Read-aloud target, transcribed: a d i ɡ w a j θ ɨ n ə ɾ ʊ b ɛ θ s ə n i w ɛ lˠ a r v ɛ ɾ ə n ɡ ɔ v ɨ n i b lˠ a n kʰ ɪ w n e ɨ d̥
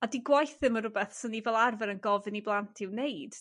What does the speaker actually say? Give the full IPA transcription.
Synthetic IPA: a d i ɡ w a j θ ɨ m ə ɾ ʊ b ɛ θ s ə n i v ɛ lˠ a r v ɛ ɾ ə n ɡ ɔ v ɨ n i b lˠ a n tʰ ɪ w n e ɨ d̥